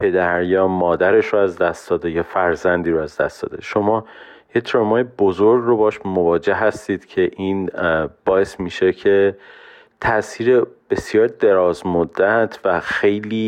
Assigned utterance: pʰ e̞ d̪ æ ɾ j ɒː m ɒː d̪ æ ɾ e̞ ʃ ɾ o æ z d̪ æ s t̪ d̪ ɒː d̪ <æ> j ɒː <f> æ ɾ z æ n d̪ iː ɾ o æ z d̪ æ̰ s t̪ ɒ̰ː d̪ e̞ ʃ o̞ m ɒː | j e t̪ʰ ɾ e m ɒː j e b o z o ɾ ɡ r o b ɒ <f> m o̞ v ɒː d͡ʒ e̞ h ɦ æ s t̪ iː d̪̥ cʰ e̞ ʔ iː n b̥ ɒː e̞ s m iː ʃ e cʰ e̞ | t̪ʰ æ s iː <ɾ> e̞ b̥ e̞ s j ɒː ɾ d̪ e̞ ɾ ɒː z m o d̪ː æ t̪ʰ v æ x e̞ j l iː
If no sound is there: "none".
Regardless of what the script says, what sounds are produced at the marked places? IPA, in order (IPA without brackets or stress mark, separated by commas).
e, f, ʃ, ɾ